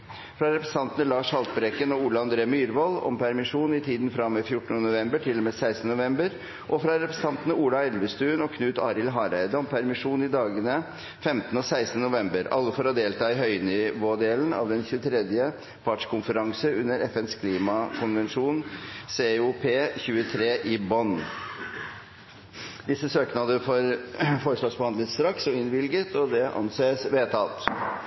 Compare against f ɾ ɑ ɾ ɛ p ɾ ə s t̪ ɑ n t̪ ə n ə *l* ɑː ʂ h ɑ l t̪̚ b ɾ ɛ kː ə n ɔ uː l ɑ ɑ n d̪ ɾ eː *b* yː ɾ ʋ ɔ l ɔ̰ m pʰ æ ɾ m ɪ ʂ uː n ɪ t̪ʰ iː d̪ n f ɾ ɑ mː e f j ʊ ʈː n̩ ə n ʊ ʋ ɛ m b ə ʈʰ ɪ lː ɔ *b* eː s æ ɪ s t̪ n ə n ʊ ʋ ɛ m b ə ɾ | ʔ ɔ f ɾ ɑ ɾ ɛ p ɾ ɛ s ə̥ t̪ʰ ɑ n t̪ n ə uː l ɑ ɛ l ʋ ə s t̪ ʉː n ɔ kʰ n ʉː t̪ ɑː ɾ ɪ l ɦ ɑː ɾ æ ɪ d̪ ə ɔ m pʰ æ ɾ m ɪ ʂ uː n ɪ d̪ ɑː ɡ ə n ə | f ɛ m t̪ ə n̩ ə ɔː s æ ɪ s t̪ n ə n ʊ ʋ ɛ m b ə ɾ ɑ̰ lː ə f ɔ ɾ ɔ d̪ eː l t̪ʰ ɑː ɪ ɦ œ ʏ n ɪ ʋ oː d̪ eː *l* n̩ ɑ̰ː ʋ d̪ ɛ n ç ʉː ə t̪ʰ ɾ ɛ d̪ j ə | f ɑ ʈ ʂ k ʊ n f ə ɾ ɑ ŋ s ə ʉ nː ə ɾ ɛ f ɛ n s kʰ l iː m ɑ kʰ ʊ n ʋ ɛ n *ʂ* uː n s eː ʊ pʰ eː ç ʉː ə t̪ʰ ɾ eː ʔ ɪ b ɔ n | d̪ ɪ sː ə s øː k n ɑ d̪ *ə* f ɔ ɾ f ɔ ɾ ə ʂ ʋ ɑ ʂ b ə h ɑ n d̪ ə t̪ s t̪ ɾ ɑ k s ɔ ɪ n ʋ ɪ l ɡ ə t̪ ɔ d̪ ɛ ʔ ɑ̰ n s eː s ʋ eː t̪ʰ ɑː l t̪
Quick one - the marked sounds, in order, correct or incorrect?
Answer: correct, incorrect, incorrect, correct, correct, correct

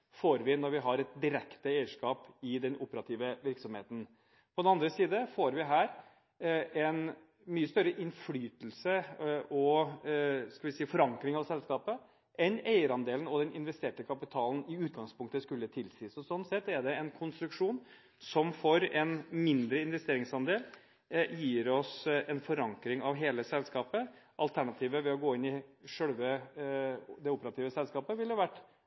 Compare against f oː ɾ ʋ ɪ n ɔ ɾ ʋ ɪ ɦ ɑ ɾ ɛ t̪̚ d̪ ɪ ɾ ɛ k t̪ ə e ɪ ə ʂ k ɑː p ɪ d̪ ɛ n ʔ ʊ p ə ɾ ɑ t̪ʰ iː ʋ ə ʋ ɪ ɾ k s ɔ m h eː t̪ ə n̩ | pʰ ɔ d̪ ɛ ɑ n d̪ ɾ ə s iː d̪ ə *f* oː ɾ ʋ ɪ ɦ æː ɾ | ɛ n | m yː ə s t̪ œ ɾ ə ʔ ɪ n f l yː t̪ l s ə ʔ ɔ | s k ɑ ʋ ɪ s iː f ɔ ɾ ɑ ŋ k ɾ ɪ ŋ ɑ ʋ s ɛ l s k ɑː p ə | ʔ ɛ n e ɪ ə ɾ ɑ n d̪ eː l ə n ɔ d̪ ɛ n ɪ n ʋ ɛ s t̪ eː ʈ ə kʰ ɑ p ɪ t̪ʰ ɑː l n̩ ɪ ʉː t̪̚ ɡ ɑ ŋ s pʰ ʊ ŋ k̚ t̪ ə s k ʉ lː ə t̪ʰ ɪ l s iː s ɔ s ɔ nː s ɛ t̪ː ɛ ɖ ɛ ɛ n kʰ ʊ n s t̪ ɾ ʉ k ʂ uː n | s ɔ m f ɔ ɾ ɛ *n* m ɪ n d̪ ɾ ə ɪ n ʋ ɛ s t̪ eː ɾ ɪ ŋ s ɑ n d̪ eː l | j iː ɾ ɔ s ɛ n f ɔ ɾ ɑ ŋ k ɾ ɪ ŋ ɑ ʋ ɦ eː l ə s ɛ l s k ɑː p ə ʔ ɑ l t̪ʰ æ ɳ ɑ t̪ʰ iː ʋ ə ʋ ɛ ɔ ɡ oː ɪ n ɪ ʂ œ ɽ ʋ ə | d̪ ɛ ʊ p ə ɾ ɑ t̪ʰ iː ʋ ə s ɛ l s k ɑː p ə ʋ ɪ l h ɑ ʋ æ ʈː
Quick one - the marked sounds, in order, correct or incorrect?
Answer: correct, correct

